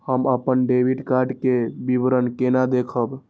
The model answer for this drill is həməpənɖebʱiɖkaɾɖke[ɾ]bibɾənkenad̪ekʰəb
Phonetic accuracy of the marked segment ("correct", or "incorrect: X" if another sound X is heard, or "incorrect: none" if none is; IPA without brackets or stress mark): incorrect: none